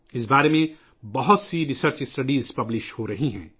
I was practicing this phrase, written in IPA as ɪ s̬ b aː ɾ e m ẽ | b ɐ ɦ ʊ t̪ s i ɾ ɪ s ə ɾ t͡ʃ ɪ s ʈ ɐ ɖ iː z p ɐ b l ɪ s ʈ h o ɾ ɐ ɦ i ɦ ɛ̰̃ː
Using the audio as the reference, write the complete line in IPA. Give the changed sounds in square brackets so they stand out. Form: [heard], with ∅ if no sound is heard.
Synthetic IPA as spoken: ɪ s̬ b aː ɾ e m ẽ | b ɐ ɦ ʊ t̪ s i ɾ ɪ s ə ɾ t͡ʃ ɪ s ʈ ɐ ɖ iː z p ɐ b l ɪ [ʃ] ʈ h o ɾ ɐ ɦ i ɦ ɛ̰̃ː